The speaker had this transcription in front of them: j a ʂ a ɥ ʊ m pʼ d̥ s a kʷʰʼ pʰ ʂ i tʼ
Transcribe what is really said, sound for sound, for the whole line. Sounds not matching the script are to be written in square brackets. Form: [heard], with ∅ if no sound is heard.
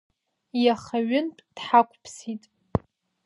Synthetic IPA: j a [χ] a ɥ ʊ [n] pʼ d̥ [ħ] a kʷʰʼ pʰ [s] i tʼ